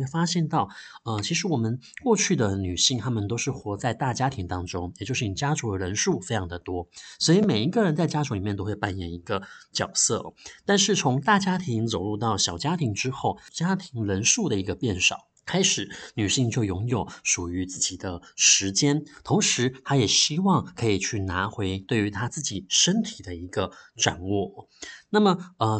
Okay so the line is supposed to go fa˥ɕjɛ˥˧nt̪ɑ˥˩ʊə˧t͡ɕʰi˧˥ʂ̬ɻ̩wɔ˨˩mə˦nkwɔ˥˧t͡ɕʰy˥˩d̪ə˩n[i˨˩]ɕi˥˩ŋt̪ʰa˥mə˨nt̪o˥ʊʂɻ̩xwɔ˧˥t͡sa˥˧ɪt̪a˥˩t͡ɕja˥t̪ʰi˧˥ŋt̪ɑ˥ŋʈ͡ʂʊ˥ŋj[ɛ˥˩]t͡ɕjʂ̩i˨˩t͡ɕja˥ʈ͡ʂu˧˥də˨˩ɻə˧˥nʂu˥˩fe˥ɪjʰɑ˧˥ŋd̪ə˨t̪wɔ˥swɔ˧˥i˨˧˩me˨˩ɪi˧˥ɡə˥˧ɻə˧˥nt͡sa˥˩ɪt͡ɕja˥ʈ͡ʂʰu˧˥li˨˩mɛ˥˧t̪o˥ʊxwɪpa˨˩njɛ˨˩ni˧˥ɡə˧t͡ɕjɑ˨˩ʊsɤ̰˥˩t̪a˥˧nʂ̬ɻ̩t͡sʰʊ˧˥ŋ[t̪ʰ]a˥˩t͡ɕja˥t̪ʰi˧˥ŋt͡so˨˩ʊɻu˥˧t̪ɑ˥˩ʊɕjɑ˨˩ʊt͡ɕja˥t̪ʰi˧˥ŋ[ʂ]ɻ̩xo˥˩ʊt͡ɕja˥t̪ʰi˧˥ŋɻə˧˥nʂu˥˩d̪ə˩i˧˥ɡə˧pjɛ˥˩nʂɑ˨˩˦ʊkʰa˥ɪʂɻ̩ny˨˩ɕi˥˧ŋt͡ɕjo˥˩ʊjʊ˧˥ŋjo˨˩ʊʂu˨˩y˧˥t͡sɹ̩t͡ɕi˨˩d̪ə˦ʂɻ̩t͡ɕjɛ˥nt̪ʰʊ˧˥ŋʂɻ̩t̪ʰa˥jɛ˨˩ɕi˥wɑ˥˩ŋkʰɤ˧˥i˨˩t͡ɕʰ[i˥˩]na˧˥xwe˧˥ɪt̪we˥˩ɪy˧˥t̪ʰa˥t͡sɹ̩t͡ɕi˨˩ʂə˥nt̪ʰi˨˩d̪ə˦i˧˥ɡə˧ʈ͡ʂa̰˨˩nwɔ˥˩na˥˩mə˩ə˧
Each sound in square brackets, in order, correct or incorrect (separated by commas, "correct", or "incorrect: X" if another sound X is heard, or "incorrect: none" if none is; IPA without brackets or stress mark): incorrect: y˨˩, incorrect: ɛ˨˩, incorrect: t̪, incorrect: ʈ͡ʂ, incorrect: y˥˩